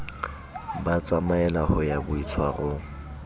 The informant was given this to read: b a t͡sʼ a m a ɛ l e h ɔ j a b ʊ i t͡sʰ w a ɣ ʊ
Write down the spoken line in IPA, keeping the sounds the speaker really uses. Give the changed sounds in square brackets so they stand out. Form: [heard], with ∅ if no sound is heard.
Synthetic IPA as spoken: b a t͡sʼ a m a ɛ l [a] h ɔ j a b ʊ i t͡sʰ w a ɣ ʊ